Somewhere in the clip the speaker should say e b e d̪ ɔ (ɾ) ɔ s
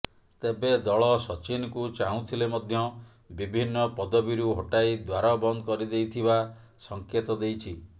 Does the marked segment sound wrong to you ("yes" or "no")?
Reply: yes